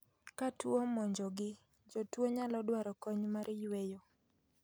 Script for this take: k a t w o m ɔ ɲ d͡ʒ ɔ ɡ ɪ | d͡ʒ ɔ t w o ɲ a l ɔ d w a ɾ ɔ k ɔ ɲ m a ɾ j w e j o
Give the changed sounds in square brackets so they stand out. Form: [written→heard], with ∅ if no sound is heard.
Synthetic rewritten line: k a t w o m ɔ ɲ d͡ʒ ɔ ɡ ɪ | d͡ʒ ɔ t w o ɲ a l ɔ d w a ɾ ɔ k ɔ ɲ m a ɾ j w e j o